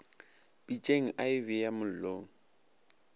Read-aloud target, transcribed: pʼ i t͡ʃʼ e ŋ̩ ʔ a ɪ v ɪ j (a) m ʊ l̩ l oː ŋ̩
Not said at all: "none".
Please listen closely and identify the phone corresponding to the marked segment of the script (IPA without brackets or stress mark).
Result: a